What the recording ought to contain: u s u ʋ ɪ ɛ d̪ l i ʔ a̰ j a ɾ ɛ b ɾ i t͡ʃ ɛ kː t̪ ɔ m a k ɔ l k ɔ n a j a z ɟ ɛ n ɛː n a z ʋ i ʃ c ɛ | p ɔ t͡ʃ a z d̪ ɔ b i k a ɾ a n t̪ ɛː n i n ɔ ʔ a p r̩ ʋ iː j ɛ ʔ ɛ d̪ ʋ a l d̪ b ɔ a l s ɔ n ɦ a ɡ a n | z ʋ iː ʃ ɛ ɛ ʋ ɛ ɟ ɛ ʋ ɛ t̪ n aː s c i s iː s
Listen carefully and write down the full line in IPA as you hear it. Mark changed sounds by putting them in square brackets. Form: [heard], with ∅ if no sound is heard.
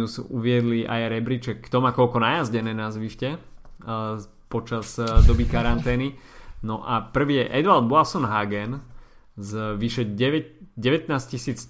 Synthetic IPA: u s u ʋ ɪ ɛ d̪ l i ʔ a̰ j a ɾ ɛ b ɾ i t͡ʃ ɛ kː t̪ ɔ m a k ɔ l k ɔ n a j a z ɟ ɛ n ɛː n a z ʋ i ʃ c ɛ | p ɔ t͡ʃ a z d̪ ɔ b i k a ɾ a n t̪ ɛː n i n ɔ ʔ a p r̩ ʋ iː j ɛ ʔ ɛ d̪ ʋ a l d̪ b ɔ a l s ɔ n ɦ a ɡ [ɛ] n | z ʋ [i] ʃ ɛ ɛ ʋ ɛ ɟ ɛ ʋ ɛ t̪ n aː s c i s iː [t͡s]